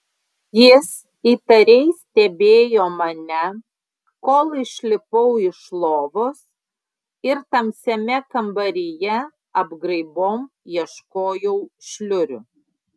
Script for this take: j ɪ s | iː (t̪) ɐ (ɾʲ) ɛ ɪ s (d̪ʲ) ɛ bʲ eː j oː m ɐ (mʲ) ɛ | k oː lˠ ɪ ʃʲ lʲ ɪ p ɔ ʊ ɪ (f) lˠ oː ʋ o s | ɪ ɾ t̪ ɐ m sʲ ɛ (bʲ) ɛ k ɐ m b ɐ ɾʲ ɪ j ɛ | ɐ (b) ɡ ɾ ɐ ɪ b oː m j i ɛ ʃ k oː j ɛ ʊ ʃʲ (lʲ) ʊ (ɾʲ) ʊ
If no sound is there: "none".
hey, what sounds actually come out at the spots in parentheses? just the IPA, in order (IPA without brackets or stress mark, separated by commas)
t̪, ɾʲ, t̪ʲ, nʲ, ʃ, mʲ, b, lʲ, ɾʲ